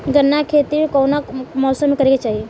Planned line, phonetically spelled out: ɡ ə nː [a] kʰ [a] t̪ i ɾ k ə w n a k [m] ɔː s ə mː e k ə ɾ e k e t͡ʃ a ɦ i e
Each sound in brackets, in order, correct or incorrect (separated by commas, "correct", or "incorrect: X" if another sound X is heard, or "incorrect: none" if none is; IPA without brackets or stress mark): correct, incorrect: e, correct